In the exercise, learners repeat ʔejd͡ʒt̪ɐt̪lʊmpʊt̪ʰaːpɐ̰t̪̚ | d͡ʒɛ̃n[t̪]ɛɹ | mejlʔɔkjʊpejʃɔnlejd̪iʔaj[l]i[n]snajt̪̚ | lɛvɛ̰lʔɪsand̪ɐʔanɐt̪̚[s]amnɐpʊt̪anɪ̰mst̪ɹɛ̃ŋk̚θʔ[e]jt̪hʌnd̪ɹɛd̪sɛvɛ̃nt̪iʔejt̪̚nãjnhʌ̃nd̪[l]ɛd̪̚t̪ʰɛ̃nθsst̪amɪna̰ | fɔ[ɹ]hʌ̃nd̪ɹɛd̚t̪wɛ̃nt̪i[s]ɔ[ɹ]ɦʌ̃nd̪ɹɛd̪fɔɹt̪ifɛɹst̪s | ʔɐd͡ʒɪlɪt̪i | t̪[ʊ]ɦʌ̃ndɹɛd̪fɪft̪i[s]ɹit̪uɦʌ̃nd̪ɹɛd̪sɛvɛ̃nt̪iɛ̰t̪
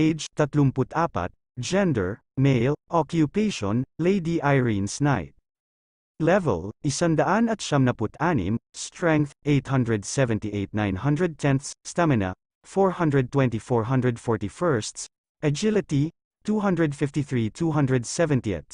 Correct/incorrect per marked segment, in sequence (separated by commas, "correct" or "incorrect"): incorrect, incorrect, correct, incorrect, correct, incorrect, correct, incorrect, correct, incorrect, incorrect